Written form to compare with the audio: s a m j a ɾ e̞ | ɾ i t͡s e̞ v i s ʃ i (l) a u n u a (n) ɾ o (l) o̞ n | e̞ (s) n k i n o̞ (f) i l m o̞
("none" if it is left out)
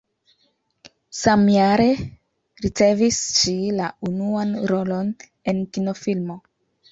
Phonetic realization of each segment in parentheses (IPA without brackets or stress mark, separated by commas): l, n, l, none, f